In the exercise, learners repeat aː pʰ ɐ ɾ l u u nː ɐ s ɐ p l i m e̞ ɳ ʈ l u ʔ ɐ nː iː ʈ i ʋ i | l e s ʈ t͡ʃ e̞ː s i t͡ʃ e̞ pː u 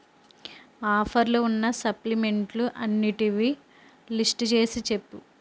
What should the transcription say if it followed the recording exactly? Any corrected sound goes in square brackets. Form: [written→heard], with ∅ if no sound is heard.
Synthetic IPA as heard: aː pʰ ɐ ɾ l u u nː ɐ s ɐ p l i m e̞ ɳ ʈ l u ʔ ɐ nː [iː→i] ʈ i ʋ i | l [e→i] s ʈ t͡ʃ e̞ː s i t͡ʃ e̞ pː u